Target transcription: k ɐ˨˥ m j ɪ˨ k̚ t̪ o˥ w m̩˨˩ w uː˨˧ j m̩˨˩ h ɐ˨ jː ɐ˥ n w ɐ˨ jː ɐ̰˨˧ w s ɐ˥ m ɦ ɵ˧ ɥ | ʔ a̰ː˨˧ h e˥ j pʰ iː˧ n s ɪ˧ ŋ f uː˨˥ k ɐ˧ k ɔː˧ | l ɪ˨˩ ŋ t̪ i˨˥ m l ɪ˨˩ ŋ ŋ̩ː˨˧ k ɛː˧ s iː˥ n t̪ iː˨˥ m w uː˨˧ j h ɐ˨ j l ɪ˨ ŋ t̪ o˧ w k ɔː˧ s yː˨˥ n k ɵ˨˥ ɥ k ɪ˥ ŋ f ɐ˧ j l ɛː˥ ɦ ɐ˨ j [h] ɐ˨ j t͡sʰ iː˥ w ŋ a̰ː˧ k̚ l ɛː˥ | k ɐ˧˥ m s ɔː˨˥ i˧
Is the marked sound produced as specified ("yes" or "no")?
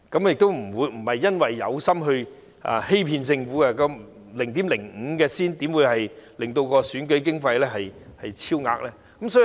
yes